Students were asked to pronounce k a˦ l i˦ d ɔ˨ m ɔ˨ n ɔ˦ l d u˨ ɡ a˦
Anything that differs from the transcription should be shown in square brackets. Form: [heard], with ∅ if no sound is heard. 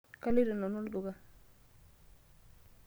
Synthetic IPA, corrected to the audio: k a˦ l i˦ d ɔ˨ [n] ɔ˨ n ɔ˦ l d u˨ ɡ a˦